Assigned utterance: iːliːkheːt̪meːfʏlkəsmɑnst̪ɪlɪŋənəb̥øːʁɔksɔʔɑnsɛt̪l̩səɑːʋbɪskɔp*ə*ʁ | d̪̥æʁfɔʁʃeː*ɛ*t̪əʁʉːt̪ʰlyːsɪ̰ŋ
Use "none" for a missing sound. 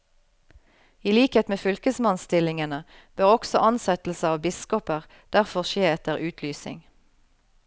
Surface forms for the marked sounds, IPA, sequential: ə, ɛ

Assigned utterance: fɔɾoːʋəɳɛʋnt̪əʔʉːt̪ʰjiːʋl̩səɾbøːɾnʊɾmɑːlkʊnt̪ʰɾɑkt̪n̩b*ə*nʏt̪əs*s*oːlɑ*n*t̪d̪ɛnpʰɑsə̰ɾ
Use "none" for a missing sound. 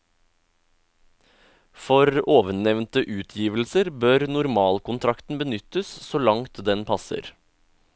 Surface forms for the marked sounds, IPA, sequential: ə, s, ŋ

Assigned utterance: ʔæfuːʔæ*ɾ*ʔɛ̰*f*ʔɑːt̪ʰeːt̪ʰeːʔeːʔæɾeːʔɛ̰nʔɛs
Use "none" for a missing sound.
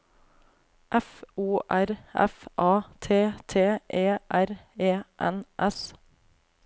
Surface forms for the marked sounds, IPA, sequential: ɾ, f

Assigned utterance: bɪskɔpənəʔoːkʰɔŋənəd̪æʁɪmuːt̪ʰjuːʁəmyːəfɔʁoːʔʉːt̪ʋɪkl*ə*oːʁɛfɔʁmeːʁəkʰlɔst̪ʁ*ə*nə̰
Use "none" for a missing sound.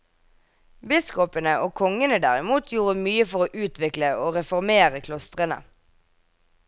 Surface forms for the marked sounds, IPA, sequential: ə, ə

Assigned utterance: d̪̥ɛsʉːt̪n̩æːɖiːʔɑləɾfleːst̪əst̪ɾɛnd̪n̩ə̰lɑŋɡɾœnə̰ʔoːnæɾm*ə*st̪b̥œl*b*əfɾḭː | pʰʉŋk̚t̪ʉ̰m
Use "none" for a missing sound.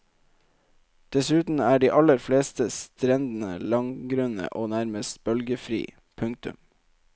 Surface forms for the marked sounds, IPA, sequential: ə, ɡ

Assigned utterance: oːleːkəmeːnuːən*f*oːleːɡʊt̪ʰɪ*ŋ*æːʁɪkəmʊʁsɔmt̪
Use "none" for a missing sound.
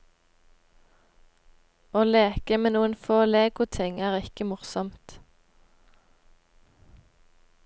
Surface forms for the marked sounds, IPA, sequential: f, ŋ

